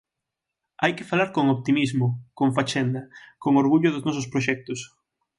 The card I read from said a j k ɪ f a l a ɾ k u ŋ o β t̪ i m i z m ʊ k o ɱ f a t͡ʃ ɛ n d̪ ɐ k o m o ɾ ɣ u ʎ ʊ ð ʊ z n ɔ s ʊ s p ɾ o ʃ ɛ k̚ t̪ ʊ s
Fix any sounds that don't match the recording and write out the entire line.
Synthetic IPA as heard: a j k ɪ f a l a ɾ k o ŋ o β t̪ i m i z m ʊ k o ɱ f a t͡ʃ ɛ n d̪ ɐ k o ŋ o ɾ ɣ u ʎ ʊ ð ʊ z n ɔ s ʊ s p ɾ o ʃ ɛ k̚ t̪ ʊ s